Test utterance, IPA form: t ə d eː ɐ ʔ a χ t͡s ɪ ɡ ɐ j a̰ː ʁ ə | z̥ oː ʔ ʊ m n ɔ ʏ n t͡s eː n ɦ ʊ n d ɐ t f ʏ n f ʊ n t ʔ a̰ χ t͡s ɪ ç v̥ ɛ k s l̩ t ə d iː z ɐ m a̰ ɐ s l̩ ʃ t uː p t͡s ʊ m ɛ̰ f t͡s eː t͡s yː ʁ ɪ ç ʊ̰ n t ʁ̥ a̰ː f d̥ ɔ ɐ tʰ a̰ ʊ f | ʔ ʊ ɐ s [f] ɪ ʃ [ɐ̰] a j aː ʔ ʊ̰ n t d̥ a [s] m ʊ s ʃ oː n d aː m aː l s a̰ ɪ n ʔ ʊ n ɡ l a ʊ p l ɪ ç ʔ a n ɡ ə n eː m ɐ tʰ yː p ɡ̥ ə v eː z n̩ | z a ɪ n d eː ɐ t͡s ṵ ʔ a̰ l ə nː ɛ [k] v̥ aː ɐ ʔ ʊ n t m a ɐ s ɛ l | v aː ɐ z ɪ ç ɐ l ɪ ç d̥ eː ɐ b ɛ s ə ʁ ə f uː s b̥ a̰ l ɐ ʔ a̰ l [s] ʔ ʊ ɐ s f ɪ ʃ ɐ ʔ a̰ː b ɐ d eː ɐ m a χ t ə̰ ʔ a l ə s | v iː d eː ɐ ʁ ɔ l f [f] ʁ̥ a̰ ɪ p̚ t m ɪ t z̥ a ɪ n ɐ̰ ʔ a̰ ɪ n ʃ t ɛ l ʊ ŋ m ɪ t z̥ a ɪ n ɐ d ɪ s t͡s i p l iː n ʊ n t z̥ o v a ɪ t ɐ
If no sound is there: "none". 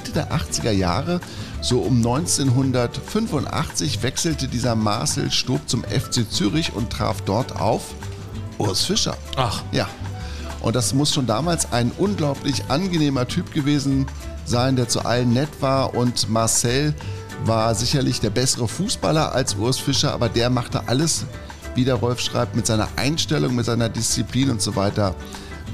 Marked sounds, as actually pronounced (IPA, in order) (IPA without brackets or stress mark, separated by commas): f, ɐ̰, s, t, s, ʃ